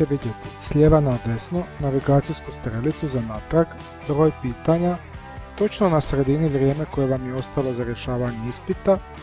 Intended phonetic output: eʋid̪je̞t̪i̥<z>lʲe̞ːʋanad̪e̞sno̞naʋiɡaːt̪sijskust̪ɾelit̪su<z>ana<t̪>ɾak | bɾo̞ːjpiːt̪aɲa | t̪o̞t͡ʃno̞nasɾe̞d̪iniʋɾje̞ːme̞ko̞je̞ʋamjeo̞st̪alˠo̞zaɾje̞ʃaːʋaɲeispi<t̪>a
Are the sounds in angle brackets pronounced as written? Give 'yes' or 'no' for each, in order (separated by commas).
no, yes, yes, yes